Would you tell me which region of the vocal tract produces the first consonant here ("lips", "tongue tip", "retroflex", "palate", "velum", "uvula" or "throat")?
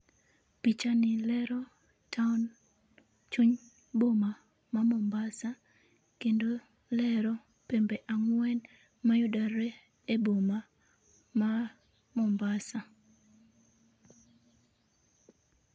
lips